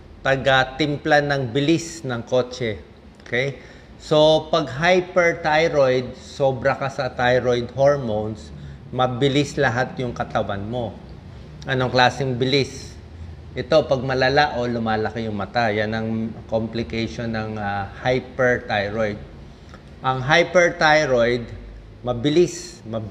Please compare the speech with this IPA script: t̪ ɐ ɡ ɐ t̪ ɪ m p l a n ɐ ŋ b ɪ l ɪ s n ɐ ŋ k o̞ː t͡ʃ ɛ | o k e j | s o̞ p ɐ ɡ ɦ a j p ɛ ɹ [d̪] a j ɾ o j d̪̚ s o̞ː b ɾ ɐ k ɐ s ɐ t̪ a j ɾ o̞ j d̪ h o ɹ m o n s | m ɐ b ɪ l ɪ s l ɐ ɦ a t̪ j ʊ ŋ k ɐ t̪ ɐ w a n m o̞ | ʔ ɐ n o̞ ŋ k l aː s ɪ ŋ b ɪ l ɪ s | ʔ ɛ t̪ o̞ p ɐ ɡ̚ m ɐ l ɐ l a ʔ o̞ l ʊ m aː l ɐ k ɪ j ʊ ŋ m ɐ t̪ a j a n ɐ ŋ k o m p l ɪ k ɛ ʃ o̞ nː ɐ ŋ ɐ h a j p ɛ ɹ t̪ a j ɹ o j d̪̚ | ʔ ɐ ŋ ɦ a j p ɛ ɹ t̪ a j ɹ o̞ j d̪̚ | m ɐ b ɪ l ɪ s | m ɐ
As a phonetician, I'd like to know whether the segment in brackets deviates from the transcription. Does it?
yes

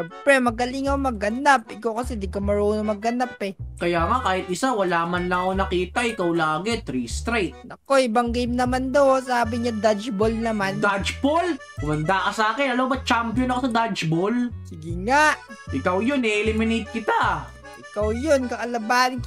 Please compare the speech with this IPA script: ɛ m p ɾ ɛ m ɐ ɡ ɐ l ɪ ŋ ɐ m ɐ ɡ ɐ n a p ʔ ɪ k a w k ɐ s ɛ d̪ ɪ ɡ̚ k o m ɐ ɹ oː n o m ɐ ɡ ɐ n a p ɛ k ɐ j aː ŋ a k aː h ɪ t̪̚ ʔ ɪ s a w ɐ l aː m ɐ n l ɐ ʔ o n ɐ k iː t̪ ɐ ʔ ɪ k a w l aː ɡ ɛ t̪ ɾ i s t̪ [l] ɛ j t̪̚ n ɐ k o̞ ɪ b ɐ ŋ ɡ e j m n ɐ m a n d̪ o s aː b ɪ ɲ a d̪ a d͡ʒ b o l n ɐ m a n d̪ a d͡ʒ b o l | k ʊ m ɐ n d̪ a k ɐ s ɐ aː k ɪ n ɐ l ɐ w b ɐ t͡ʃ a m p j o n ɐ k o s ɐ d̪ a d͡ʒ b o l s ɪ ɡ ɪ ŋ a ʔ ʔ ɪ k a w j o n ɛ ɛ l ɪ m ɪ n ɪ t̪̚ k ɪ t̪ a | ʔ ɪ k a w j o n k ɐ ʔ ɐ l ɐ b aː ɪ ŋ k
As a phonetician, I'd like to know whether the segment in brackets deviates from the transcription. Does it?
yes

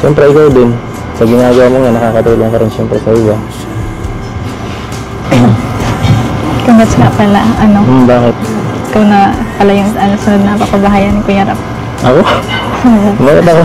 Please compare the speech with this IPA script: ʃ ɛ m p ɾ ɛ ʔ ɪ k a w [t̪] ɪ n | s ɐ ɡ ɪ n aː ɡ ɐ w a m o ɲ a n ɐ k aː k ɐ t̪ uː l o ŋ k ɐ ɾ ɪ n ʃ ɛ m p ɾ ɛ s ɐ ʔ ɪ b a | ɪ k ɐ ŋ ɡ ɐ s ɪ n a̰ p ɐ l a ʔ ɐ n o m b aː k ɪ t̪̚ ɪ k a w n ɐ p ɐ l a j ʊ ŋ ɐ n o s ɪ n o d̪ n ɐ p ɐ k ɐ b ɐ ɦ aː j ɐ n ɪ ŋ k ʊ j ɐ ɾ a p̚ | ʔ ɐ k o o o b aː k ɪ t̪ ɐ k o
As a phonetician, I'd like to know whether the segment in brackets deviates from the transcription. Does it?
yes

